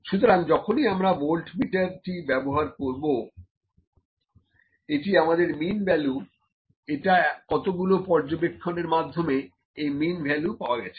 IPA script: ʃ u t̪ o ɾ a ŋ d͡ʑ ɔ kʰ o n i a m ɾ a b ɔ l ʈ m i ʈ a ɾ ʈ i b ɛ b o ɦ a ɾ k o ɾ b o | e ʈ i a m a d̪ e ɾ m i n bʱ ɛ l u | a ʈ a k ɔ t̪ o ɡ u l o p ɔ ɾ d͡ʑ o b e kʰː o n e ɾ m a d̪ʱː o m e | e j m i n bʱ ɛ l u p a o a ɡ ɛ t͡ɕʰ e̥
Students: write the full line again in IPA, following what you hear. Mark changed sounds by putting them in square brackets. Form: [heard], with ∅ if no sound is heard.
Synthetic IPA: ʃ u t̪ o ɾ a ŋ d͡ʑ ɔ kʰ o n i a m ɾ a b [o] l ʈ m i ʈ a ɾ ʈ i b ɛ b o ɦ a ɾ k o ɾ b o | e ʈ i a m a d̪ e ɾ m i n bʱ ɛ l u | [e] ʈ a k ɔ t̪ o ɡ u l o p ɔ ɾ d͡ʑ o b e kʰː o n e ɾ m a d̪ʱː o m e | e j m i n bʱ ɛ l u p a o a ɡ ɛ t͡ɕʰ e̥